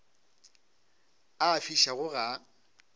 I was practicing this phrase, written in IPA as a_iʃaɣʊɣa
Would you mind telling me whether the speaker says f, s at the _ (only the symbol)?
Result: f